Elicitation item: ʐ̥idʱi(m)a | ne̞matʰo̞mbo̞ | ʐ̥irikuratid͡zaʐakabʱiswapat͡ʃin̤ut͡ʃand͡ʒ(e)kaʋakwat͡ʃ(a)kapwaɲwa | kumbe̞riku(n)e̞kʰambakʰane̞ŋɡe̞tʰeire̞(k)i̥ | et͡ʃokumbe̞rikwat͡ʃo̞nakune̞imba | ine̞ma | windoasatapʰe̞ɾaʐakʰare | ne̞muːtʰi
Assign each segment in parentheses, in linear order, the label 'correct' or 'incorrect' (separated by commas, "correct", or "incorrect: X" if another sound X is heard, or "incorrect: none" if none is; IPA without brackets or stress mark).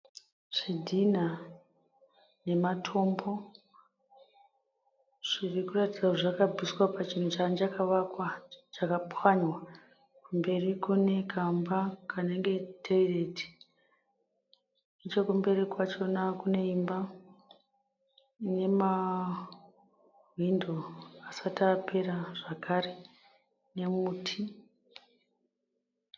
incorrect: n, incorrect: a, correct, correct, incorrect: t